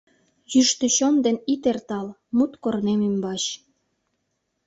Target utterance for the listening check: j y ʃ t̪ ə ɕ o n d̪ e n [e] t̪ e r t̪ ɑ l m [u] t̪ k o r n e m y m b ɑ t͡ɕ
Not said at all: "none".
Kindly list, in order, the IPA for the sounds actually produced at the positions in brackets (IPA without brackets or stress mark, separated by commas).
i, u